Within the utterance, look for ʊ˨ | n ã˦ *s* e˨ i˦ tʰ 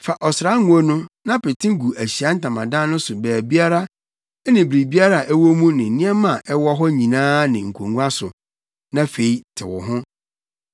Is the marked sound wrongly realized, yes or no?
yes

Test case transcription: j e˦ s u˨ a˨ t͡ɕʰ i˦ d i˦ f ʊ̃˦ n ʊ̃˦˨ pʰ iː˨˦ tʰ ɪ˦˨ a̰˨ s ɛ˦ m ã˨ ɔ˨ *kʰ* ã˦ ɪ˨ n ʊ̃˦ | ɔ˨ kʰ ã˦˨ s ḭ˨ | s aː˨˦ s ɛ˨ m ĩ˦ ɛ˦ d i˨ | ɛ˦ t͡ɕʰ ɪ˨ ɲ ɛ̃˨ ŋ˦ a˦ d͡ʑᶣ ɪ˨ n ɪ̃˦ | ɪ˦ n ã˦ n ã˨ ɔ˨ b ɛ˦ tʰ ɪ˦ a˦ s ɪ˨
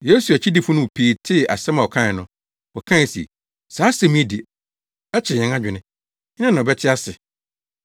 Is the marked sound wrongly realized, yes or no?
no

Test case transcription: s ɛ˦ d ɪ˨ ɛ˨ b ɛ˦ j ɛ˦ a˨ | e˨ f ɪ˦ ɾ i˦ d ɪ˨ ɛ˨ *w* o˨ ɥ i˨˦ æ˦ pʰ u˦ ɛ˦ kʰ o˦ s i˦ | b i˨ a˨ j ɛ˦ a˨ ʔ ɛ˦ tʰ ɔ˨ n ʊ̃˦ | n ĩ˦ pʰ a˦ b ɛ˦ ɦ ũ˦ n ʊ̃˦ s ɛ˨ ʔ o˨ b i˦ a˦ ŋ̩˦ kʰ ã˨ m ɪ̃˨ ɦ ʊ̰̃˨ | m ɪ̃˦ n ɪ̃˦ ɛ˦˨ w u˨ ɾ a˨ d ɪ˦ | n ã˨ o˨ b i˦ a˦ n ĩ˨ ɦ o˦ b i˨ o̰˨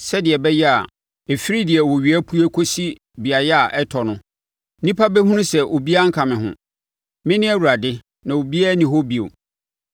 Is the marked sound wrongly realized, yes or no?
no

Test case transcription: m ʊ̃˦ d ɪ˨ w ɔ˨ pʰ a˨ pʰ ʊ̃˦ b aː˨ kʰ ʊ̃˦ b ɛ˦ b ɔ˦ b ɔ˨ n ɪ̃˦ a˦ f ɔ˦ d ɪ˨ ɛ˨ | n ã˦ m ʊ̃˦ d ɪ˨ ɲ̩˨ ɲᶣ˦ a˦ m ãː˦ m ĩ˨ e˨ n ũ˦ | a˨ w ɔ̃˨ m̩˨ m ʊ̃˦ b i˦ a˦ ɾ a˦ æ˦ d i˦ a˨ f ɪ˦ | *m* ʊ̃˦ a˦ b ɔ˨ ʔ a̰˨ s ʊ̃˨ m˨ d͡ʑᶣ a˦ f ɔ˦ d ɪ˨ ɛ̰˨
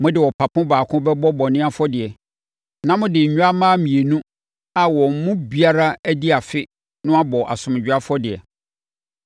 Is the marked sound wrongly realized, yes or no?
yes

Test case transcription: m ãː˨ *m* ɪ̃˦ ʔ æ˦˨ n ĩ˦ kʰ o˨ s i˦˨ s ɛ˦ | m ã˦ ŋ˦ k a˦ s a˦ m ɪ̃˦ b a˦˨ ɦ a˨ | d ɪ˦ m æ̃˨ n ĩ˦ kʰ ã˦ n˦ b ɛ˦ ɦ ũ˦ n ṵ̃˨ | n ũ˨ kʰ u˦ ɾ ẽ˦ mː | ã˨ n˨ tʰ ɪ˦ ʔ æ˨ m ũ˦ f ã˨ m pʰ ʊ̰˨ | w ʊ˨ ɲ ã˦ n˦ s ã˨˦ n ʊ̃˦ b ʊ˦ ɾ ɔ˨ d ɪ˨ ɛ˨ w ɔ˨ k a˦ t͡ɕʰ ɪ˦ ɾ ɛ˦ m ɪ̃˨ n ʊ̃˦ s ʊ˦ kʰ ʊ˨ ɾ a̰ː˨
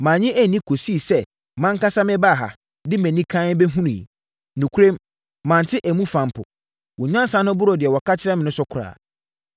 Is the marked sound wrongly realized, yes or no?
yes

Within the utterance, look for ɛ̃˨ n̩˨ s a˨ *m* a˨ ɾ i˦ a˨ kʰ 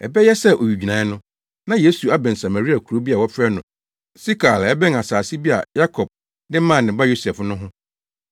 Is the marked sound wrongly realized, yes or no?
no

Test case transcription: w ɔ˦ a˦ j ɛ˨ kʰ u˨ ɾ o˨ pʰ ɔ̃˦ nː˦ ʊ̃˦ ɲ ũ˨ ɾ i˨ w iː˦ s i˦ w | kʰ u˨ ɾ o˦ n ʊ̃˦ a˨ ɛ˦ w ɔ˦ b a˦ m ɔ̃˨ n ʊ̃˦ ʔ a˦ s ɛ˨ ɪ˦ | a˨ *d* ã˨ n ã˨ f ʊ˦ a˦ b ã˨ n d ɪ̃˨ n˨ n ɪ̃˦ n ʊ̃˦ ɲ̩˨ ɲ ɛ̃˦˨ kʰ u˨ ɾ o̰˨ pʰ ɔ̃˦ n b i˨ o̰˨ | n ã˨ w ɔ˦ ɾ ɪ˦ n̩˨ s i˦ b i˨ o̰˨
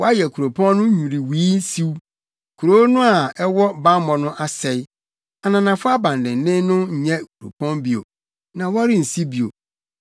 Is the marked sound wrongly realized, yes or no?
yes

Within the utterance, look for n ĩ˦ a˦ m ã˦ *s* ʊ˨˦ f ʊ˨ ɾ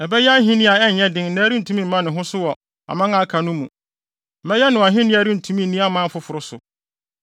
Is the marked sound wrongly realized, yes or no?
yes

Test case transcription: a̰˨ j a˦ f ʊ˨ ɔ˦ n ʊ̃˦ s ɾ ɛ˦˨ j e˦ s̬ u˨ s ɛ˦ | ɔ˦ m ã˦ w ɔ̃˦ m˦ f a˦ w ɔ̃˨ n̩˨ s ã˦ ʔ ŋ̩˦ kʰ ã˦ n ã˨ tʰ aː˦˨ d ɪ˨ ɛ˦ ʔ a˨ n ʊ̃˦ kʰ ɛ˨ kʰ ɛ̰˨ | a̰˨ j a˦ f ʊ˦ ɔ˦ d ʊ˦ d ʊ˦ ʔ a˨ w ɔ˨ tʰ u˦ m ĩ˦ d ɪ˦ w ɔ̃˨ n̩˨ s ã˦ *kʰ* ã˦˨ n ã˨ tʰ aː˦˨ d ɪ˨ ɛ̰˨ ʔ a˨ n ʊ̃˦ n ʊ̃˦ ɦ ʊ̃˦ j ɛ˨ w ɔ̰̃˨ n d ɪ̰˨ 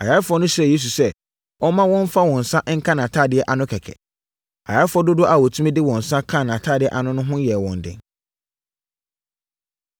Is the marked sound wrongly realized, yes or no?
no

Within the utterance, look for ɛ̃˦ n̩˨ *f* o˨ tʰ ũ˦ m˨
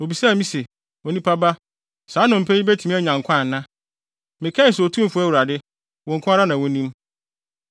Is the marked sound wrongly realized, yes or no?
yes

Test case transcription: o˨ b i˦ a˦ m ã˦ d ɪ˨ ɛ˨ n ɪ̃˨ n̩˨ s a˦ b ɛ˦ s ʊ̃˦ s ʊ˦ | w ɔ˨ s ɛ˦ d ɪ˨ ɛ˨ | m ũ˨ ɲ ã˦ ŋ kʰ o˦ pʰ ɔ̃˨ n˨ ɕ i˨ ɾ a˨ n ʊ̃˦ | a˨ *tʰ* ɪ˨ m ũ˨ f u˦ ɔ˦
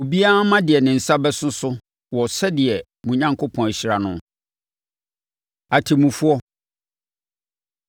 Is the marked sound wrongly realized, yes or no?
no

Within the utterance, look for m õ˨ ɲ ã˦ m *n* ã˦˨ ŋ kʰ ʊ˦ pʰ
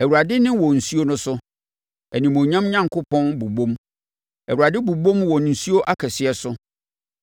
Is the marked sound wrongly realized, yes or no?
yes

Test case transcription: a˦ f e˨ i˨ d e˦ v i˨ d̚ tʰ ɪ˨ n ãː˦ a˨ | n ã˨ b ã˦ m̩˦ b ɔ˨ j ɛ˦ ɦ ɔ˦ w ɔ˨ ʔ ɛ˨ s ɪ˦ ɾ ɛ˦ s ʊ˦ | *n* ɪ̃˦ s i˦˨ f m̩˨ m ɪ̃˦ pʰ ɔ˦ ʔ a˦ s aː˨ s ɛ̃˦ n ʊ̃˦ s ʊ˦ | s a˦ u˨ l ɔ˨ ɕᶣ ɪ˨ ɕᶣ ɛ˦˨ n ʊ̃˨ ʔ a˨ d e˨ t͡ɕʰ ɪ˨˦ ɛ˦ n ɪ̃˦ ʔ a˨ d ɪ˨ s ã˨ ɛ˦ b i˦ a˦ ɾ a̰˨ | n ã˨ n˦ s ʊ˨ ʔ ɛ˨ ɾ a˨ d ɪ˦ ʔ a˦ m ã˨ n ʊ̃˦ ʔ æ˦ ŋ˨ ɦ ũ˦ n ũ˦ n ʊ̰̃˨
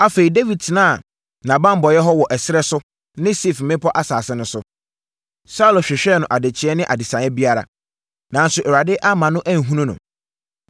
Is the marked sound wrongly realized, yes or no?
no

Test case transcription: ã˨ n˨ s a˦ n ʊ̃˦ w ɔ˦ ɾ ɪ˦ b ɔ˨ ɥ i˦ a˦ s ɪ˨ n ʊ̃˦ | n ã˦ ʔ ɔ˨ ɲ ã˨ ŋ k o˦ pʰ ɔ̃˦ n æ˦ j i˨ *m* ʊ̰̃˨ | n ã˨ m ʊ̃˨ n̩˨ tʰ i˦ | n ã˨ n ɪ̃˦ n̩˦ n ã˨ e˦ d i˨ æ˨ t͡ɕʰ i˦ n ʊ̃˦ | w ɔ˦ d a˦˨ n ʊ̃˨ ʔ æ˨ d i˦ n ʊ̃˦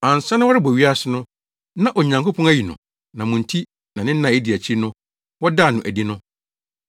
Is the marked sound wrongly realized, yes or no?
yes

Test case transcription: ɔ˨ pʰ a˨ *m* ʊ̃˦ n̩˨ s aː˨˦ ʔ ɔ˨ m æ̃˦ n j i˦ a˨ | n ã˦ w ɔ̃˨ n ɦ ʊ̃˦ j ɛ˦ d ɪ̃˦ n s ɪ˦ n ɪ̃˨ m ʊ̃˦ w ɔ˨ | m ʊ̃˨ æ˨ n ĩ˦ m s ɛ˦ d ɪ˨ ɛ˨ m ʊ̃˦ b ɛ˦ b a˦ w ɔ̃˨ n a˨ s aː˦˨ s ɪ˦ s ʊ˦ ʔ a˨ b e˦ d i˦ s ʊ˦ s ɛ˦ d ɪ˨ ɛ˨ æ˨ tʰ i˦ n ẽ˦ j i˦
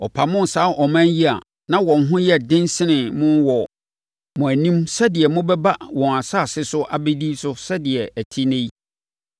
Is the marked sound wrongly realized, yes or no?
no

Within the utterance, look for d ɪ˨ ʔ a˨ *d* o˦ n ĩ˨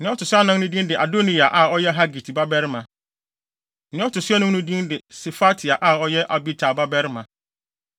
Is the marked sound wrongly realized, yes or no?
no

